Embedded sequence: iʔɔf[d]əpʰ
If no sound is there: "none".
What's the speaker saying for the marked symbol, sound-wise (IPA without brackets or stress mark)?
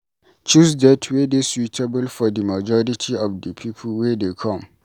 d